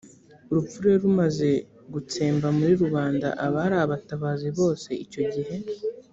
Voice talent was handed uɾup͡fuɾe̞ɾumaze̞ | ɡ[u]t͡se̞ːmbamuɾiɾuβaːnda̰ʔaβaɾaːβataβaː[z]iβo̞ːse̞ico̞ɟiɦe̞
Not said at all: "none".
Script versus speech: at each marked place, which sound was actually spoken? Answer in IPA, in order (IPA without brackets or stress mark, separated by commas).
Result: u, z